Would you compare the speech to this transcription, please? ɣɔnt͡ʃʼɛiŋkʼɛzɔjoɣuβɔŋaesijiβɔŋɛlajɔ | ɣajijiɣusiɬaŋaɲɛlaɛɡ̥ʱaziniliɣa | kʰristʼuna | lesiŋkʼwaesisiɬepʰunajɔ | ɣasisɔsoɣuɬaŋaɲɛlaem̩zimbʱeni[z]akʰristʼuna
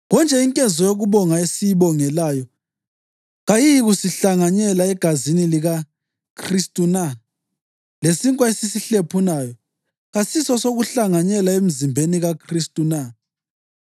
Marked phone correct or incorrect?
incorrect